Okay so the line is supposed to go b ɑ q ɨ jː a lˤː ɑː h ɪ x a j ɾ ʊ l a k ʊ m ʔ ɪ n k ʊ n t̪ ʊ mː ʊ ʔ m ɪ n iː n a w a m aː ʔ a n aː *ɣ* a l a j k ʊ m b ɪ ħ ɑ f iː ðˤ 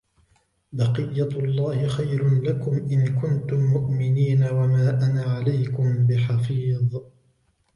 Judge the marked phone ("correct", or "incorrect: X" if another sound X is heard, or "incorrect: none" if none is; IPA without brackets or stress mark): incorrect: ʕ